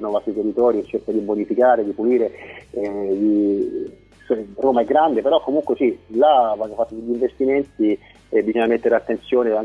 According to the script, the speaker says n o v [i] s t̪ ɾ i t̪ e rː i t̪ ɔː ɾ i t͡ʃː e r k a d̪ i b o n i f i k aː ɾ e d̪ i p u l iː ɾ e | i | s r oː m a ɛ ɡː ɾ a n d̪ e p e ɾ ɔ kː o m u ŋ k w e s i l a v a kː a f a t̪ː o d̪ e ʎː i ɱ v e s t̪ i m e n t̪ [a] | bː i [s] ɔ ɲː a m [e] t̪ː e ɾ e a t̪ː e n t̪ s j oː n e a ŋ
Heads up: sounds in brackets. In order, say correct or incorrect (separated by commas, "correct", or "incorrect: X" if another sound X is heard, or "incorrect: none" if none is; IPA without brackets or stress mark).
incorrect: a, incorrect: i, incorrect: z, correct